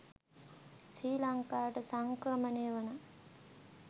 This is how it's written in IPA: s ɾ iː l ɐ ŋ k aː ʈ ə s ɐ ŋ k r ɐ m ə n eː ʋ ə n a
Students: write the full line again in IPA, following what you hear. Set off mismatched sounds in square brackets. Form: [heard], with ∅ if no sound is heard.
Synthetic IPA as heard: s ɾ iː l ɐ ŋ k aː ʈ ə s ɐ ŋ k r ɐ m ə n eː ʋ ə n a